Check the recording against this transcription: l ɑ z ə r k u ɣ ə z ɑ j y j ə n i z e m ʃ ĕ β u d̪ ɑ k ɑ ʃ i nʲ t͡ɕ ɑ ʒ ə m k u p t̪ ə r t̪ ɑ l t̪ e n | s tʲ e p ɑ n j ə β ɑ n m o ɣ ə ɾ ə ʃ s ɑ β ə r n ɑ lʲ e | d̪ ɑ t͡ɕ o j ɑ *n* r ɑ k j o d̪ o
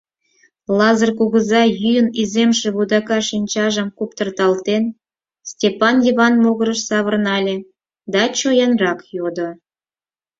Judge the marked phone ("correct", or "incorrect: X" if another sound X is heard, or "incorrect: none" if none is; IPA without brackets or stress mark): correct